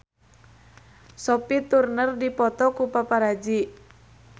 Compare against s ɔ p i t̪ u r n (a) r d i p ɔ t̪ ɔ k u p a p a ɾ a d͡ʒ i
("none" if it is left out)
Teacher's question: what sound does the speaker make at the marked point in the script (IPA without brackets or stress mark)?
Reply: ə